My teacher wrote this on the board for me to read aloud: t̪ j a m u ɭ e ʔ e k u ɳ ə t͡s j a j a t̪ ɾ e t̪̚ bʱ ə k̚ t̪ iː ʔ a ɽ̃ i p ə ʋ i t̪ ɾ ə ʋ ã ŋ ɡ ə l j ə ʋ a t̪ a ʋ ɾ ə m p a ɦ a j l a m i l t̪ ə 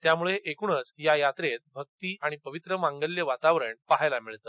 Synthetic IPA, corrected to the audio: t̪ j a m u ɭ e ʔ e k u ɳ ə t͡s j a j a t̪ ɾ e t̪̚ bʱ ə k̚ t̪ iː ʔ a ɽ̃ i p ə ʋ i t̪ ɾ ə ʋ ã ŋ ɡ ə l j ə ʋ a t̪ a ʋ ɾ ə ɳ p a ɦ a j l a m i ɭ t̪ ə